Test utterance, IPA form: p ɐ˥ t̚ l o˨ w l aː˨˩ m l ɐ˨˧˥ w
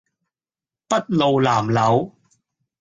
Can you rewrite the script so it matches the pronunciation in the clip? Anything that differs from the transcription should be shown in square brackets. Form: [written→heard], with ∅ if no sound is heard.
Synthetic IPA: p ɐ˥ t̚ l o˨ w l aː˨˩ m l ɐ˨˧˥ w